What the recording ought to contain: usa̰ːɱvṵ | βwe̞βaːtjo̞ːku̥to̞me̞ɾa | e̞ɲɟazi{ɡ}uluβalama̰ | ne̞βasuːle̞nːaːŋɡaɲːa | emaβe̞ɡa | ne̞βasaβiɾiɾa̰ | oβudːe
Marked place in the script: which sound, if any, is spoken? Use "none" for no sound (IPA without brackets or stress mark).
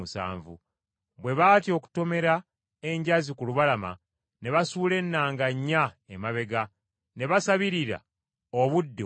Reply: k